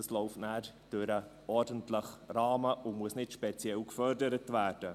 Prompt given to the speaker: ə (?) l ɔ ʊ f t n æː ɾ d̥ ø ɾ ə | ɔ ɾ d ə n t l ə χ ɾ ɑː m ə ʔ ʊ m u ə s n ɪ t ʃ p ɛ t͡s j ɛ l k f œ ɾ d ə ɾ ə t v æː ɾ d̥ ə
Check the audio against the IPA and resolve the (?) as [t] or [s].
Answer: s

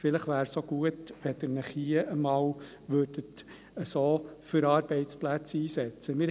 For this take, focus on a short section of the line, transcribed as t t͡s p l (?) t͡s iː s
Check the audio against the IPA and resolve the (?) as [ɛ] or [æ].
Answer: æ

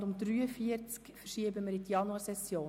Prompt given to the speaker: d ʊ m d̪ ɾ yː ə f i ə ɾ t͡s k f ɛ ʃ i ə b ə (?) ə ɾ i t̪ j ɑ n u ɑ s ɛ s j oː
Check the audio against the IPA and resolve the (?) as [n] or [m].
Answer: m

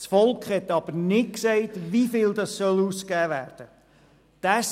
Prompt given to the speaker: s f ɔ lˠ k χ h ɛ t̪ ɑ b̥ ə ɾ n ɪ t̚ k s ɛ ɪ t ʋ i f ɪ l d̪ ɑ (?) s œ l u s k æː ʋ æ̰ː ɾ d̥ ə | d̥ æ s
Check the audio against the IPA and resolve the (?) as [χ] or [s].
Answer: s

